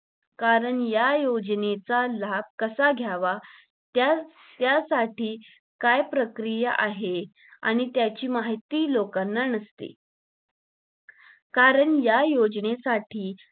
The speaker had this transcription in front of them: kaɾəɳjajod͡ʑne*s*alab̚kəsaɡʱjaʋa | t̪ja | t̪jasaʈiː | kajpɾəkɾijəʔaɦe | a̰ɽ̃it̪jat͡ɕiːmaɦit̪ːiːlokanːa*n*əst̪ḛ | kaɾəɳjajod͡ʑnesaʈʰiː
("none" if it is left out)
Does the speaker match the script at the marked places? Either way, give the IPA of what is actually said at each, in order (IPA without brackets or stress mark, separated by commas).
t͡s, n